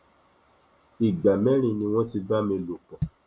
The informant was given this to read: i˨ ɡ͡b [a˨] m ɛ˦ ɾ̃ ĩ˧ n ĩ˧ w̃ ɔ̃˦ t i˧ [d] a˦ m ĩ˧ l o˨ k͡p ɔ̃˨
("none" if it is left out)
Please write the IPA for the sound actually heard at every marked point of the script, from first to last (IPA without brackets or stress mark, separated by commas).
a˨, b